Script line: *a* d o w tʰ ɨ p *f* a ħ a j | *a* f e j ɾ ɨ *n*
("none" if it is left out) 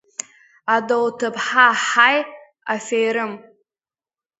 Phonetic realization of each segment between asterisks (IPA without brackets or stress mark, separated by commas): a, ħ, a, m